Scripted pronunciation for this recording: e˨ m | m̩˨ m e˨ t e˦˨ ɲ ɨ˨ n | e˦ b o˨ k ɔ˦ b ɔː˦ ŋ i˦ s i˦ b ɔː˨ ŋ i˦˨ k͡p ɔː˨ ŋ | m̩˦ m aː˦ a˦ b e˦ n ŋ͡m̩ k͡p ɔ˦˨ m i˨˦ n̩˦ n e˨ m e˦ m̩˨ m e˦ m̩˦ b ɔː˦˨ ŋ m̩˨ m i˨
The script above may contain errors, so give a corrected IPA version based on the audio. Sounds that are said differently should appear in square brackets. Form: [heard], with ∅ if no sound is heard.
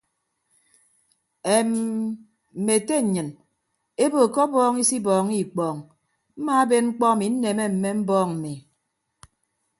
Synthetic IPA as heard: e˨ m | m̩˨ m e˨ t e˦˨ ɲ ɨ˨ n | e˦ b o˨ k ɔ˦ b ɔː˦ ŋ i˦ s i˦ b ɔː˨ ŋ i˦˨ k͡p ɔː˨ ŋ | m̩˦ m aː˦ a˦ b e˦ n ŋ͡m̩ k͡p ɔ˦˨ m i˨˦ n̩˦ n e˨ m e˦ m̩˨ m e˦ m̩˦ b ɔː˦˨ ŋ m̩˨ m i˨

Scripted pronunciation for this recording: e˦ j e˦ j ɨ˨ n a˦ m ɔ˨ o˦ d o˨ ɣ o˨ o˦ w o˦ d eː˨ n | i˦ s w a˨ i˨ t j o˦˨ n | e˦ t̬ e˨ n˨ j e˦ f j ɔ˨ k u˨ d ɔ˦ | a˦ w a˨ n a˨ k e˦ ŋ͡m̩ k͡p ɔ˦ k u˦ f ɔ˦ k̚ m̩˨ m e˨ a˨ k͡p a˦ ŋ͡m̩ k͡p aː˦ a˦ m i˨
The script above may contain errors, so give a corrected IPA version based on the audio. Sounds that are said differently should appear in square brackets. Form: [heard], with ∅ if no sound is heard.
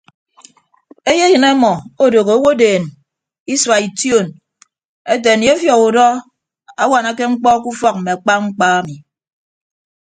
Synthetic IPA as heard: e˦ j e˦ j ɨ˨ n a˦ m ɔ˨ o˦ d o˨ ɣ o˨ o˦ w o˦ d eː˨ n | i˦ s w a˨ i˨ t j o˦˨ n | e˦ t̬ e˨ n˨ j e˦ f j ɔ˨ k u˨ d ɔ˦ | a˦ w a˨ n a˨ k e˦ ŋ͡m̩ k͡p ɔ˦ k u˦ f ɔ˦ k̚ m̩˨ m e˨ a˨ k͡p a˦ ŋ͡m̩ k͡p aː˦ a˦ m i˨

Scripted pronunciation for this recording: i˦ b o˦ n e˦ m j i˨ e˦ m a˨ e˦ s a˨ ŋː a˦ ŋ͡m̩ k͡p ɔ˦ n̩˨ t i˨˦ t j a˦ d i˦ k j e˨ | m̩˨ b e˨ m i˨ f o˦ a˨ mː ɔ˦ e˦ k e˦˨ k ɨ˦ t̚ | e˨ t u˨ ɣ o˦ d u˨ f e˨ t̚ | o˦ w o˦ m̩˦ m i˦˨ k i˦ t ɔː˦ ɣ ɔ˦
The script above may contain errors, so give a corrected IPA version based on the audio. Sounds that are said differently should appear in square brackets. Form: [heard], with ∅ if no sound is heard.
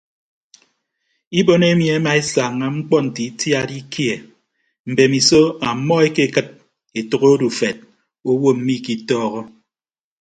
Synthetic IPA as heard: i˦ b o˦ n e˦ m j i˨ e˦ m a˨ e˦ s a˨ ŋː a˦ ŋ͡m̩ k͡p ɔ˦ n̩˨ t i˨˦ t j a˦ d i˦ k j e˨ | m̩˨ b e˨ m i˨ [s] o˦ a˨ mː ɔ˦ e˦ k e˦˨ k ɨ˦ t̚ | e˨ t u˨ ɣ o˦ d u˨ f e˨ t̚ | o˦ w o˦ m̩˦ m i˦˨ k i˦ t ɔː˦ ɣ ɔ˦

